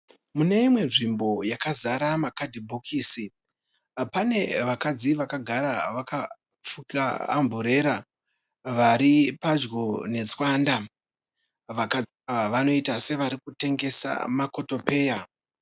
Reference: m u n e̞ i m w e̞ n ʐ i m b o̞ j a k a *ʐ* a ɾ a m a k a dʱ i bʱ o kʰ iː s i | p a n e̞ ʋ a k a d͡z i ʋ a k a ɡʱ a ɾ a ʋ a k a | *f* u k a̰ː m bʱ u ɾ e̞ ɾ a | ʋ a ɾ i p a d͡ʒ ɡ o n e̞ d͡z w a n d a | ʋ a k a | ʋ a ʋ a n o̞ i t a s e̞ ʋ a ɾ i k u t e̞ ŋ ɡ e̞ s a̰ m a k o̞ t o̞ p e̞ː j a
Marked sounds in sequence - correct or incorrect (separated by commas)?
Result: incorrect, correct